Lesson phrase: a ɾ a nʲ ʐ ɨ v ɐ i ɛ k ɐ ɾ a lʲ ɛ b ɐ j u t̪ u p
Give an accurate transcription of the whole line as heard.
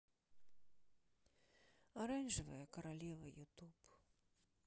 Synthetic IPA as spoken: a ɾ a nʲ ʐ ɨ v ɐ j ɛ k ɐ ɾ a lʲ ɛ v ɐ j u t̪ u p